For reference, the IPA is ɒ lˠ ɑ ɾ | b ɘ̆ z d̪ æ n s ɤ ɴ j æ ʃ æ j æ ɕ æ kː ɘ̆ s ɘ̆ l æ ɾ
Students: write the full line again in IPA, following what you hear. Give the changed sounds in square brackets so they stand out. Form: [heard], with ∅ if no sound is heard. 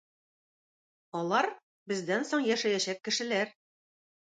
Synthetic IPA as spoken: ɒ lˠ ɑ ɾ | b ɘ̆ z d̪ æ n s [o] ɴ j æ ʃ æ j æ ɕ æ kː ɘ̆ [ʃ] ɘ̆ l æ ɾ